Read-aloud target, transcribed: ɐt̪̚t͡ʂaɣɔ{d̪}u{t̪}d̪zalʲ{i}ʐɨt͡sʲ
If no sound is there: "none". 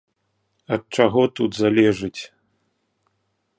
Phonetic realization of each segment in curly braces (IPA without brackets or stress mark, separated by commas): t̪, none, ɛ